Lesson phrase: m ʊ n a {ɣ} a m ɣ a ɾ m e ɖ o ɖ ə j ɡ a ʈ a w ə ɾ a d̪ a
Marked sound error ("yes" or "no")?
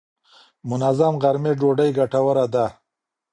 yes